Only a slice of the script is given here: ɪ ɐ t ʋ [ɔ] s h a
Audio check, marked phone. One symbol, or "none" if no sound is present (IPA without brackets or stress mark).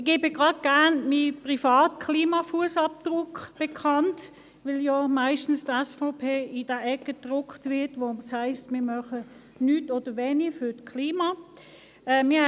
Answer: o